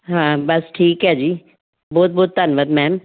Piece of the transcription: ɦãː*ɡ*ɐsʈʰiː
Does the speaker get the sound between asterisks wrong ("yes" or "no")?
yes